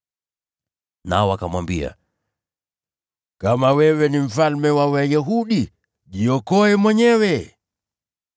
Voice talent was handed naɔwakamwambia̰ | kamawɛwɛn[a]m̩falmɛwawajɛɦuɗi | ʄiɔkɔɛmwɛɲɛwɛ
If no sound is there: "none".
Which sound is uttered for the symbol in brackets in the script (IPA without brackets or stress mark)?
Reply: i